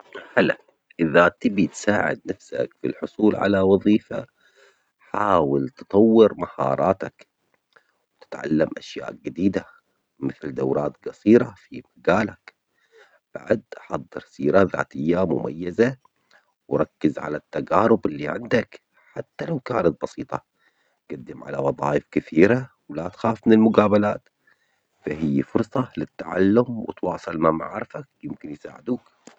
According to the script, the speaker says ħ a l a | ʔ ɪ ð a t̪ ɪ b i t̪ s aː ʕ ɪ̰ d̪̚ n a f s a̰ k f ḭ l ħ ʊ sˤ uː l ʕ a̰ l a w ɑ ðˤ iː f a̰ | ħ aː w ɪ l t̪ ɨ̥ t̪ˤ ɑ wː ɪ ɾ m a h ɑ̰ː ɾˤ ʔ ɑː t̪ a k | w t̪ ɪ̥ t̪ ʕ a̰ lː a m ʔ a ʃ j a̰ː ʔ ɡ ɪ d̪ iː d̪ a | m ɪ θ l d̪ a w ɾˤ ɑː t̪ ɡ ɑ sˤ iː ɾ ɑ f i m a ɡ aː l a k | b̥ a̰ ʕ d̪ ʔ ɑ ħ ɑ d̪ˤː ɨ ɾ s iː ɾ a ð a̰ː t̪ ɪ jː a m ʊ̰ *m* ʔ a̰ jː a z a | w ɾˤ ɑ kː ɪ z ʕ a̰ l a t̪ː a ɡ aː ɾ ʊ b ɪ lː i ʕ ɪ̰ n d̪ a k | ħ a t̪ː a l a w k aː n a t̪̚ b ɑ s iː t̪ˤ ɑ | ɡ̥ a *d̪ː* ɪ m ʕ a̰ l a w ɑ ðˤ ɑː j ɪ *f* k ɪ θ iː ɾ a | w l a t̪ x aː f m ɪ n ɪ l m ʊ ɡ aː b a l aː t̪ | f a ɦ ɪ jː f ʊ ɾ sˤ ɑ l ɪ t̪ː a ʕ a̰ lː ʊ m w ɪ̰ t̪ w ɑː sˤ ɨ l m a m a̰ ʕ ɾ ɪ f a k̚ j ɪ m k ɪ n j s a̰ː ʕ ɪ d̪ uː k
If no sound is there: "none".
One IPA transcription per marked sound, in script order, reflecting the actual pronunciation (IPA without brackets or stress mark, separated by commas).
m, d̪ː, f